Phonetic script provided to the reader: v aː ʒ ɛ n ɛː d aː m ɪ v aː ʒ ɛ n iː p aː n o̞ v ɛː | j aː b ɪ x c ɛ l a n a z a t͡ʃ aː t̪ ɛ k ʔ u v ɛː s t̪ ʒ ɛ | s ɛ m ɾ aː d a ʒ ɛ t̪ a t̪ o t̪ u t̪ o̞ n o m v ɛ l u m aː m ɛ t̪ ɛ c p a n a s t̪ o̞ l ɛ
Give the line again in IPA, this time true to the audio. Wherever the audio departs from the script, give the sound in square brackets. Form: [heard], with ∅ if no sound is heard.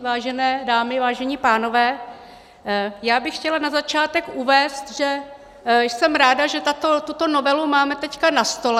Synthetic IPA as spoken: v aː ʒ ɛ n ɛː d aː m ɪ v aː ʒ ɛ [ɲ] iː p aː n o̞ v ɛː | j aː b ɪ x c ɛ l a n a z a t͡ʃ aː t̪ ɛ k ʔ u v ɛː s t̪ ʒ ɛ | s ɛ m ɾ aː d a ʒ ɛ t̪ a t̪ o t̪ u t̪ o̞ n o [∅] v ɛ l u m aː m ɛ t̪ ɛ c [k] a n a s t̪ o̞ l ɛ